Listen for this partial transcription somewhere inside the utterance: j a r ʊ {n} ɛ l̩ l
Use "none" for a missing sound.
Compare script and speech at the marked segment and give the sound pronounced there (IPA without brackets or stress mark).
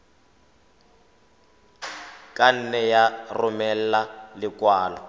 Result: m